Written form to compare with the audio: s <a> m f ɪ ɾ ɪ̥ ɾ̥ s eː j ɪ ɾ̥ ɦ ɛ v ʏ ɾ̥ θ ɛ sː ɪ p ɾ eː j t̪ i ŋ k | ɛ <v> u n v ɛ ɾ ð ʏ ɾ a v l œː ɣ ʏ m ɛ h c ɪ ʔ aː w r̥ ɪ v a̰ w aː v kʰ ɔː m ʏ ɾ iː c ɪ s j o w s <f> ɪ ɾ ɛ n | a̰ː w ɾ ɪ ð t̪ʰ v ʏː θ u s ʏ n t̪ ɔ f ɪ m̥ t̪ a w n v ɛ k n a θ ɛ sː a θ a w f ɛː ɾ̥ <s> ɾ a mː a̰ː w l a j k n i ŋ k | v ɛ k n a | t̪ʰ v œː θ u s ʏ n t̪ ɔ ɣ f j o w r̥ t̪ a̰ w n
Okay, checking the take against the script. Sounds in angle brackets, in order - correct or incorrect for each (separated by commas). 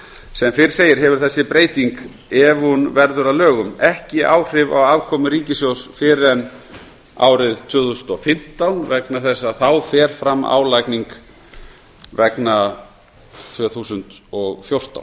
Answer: incorrect, correct, correct, incorrect